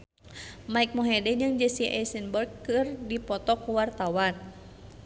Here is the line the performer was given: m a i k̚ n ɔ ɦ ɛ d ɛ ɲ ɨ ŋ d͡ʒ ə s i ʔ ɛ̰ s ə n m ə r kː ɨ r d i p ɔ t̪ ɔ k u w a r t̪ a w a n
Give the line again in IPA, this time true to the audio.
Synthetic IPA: m a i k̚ m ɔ ɦ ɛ d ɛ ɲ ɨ ŋ d͡ʒ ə s i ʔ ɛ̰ s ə n b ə r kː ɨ r d i p ɔ t̪ ɔ k u w a r t̪ a w a n